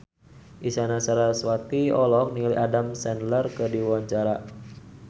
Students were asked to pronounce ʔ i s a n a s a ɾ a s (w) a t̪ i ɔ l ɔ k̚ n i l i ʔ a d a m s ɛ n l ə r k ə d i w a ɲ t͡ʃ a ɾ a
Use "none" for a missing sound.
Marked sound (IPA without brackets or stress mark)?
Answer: w